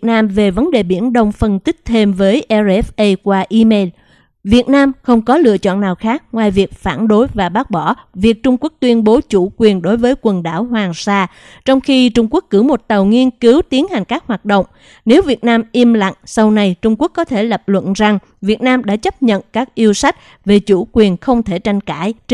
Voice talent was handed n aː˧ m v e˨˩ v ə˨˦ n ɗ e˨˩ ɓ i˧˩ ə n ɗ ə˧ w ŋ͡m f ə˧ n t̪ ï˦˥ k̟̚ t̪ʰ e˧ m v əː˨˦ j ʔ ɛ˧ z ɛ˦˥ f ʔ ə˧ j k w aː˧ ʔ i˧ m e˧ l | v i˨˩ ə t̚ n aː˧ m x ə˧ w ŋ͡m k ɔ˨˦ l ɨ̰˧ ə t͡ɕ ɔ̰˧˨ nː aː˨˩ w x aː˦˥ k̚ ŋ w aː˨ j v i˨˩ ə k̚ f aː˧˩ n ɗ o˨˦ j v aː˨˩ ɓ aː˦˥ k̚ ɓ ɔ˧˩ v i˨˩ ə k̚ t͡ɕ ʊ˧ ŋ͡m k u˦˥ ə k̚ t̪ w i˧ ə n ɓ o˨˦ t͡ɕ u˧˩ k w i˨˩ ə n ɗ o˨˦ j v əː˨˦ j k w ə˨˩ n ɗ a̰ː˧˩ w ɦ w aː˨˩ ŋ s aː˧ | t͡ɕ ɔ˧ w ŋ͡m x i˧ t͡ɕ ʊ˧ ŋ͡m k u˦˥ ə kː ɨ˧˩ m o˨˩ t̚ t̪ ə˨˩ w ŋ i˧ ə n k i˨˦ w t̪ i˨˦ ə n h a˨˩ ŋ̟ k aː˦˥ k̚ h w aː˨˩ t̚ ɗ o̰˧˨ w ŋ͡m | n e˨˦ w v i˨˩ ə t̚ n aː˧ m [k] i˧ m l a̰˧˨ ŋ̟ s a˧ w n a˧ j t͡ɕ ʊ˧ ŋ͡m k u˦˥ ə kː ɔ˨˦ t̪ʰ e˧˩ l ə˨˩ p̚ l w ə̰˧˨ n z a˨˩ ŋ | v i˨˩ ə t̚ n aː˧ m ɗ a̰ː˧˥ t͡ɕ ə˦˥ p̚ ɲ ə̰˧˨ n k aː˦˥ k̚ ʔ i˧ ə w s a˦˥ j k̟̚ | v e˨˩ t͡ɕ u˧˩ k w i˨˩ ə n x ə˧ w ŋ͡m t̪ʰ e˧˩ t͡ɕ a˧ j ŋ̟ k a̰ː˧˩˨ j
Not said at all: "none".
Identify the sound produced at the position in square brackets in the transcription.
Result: ʔ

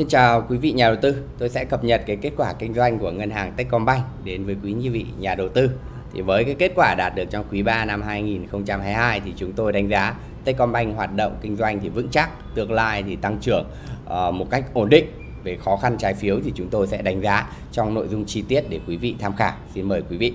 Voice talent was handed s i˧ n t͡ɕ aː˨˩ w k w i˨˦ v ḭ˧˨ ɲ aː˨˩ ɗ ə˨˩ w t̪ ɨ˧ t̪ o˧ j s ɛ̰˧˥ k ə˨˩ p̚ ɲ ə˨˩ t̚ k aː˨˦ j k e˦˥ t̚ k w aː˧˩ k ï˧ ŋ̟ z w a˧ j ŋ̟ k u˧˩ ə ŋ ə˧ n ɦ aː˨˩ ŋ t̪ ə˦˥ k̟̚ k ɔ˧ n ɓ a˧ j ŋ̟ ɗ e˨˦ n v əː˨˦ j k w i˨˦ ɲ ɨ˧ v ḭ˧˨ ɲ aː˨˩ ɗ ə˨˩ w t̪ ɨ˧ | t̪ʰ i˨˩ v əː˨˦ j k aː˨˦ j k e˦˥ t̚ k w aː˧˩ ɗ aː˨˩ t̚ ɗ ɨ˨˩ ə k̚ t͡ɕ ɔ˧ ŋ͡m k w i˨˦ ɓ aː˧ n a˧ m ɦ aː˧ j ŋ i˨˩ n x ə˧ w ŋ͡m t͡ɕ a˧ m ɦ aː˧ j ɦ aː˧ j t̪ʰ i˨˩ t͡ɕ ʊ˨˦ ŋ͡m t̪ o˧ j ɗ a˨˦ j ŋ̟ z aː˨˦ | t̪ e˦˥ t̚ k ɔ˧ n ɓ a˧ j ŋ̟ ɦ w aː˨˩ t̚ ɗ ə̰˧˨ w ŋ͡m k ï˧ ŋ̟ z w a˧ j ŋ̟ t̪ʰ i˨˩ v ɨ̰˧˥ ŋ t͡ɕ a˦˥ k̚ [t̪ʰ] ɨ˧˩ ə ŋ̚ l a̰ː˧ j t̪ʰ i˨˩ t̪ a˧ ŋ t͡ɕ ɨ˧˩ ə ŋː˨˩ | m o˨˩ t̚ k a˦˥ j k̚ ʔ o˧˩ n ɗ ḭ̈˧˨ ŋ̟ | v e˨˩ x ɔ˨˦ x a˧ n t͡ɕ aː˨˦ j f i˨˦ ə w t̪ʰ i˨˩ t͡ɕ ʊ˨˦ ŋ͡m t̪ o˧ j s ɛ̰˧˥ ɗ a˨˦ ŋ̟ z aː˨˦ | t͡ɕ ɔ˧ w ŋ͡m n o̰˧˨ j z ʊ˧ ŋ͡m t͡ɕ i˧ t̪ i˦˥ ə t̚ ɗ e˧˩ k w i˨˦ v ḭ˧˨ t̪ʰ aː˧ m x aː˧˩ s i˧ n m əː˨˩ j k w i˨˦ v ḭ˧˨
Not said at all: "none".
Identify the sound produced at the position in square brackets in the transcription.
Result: t̪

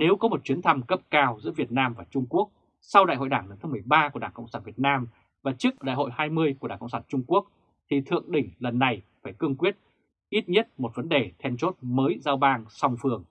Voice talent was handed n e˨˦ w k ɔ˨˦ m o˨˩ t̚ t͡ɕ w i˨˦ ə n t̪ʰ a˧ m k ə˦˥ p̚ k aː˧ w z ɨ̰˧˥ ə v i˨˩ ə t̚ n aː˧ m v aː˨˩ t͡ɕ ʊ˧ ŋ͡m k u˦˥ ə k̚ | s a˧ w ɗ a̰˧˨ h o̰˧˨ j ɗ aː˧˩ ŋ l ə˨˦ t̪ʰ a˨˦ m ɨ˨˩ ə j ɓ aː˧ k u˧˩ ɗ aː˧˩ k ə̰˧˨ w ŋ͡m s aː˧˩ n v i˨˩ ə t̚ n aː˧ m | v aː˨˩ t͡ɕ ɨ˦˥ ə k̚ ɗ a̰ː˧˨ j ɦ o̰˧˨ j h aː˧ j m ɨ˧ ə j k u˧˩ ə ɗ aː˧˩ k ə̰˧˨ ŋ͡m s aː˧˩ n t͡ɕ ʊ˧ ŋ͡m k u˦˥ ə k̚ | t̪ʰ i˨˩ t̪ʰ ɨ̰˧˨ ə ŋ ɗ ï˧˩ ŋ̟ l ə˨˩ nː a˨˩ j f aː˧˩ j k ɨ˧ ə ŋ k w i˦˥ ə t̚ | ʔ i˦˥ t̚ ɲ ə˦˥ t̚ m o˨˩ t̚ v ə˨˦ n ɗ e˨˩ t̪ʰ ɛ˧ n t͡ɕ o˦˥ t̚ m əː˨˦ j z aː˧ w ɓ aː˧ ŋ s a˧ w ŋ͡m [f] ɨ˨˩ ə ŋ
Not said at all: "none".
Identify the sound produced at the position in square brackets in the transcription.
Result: f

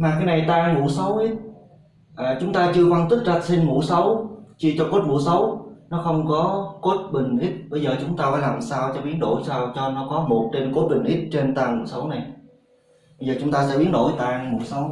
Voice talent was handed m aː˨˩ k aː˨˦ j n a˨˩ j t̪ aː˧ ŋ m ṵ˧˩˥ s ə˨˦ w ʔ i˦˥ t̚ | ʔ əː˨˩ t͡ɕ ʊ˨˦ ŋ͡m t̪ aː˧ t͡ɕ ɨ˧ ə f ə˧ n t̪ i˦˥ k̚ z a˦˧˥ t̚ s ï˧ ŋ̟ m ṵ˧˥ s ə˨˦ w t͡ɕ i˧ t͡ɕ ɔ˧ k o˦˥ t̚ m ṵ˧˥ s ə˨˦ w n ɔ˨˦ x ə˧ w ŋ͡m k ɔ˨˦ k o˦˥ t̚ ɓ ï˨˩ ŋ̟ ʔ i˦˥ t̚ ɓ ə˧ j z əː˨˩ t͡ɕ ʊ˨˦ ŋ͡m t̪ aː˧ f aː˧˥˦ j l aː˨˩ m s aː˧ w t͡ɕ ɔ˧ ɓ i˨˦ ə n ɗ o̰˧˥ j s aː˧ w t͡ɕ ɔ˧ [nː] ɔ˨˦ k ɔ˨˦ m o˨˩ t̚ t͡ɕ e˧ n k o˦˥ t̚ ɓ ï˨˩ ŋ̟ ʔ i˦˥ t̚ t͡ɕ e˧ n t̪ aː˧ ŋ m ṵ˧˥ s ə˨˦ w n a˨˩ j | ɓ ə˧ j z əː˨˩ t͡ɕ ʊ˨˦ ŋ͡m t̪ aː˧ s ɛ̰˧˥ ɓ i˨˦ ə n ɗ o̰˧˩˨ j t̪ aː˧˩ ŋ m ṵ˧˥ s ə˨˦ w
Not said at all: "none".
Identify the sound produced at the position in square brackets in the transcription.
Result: n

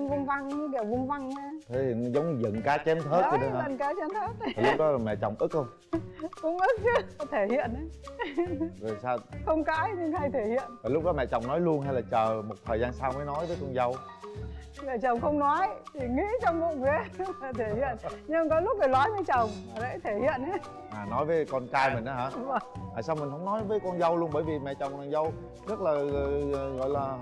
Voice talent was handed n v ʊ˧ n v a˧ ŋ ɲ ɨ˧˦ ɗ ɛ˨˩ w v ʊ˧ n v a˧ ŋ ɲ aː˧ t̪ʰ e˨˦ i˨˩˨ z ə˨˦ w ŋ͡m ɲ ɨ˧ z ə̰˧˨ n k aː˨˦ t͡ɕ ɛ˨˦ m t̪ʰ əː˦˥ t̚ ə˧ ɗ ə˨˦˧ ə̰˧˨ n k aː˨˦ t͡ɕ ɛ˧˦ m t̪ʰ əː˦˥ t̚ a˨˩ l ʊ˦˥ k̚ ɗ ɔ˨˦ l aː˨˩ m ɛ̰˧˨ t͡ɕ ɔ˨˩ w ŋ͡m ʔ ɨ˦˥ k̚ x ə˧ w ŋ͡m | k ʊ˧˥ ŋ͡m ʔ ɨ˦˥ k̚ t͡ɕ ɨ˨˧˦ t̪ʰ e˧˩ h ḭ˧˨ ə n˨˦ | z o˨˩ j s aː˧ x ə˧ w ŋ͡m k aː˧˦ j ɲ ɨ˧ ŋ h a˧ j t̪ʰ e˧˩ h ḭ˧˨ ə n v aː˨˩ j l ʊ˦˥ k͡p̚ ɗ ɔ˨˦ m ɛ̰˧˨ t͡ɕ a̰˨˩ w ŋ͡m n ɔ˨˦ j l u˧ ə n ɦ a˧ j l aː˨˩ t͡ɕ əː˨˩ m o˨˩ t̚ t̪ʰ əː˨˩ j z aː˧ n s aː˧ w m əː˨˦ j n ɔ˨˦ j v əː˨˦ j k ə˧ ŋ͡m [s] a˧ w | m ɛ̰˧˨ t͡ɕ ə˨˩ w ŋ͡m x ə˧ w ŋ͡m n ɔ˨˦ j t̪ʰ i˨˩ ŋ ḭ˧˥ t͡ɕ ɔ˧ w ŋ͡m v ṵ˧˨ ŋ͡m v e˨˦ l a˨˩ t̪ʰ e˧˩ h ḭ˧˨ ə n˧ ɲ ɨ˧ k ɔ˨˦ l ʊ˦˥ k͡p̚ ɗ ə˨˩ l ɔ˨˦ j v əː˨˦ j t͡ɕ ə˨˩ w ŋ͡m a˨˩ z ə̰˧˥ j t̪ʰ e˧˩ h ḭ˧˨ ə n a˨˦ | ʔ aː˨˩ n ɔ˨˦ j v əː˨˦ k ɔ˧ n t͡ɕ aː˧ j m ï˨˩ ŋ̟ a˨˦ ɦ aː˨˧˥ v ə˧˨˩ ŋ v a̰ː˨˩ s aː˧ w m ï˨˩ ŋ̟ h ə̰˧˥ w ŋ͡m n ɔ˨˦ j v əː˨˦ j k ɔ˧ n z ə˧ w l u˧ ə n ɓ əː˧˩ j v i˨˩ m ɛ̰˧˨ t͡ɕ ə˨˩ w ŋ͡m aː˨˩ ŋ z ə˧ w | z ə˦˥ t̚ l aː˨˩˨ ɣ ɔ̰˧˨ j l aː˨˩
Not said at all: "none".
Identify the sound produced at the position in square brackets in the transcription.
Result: z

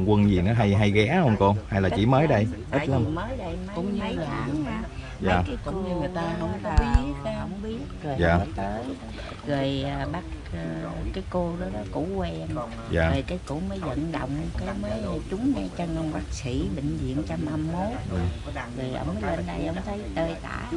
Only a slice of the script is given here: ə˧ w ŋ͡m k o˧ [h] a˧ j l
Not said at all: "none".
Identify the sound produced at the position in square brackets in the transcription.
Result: h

